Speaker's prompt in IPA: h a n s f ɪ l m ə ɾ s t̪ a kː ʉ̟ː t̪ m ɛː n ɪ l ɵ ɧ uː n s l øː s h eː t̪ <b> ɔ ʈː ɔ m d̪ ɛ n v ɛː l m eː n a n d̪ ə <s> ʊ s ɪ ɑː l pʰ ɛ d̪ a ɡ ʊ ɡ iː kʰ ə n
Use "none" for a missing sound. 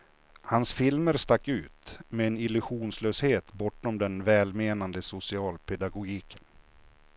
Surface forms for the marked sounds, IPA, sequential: b, s

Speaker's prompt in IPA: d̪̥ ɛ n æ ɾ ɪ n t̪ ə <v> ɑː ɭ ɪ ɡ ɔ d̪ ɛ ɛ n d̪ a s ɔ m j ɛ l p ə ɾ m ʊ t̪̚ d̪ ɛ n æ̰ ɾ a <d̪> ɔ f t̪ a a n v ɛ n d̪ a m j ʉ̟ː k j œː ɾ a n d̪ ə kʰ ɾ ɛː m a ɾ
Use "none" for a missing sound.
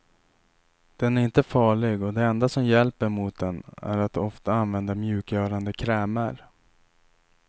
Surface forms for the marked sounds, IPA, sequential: f, t̪

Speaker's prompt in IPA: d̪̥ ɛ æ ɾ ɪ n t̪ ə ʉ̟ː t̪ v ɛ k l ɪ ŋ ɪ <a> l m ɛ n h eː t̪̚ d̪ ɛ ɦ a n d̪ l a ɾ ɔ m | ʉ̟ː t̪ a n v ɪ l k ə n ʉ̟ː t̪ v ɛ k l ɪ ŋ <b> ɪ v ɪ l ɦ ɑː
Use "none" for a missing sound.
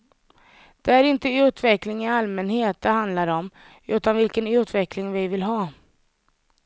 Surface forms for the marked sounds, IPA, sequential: a, v

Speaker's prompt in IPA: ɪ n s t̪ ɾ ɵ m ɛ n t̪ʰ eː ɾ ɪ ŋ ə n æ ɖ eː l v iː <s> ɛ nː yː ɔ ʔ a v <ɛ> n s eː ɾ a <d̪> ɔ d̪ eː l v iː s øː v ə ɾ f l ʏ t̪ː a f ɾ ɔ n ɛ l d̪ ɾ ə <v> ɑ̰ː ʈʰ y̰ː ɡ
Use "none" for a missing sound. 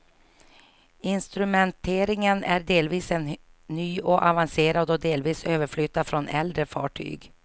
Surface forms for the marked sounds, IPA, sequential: s, a, d̪, f

